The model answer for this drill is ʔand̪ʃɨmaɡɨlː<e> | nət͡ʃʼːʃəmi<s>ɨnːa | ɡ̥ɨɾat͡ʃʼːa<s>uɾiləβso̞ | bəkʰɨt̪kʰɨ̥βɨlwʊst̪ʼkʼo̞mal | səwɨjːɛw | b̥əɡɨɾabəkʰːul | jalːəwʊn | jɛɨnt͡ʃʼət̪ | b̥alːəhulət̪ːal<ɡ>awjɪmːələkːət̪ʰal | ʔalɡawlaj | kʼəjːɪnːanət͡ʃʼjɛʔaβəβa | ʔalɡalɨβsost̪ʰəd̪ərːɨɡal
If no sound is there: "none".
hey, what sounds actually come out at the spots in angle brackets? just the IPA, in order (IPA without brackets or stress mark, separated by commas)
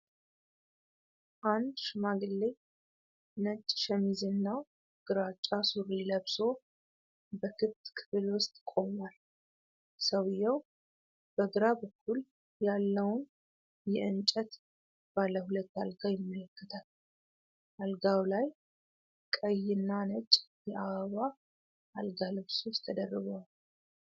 e, z, s, ɡ